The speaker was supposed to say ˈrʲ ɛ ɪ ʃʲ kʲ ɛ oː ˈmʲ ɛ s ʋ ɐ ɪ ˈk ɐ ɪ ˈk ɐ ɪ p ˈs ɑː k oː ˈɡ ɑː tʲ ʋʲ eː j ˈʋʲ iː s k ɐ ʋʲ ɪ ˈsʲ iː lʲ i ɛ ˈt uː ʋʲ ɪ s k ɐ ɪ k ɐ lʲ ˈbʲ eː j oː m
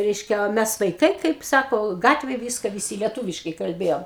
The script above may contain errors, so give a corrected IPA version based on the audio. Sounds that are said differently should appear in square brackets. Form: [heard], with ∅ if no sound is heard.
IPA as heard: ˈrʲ ɛ ɪ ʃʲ kʲ ɛ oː ˈmʲ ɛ s ʋ ɐ ɪ ˈk ɐ ɪ ˈk ɐ ɪ p ˈs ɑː k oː ˈɡ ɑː tʲ ʋʲ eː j ˈʋʲ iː s k ɐ ʋʲ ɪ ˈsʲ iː lʲ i ɛ ˈt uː ʋʲ ɪ [ʃ] k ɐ ɪ k ɐ lʲ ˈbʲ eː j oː m